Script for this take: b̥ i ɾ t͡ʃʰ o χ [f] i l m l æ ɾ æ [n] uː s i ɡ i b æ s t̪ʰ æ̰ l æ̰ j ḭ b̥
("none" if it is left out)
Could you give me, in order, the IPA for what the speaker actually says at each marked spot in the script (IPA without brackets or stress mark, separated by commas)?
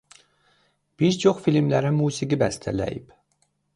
f, m